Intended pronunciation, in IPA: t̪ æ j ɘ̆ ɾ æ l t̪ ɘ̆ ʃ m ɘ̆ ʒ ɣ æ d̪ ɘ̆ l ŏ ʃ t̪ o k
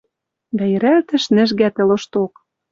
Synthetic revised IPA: d̪ æ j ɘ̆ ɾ æ l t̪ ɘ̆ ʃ n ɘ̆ ʒ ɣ æ t̪ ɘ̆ l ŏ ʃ t̪ o k